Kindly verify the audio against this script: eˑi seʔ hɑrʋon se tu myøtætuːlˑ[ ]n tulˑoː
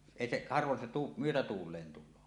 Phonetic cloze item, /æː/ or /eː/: eː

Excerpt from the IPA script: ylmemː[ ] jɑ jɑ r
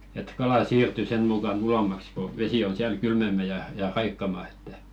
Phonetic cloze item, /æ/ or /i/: æ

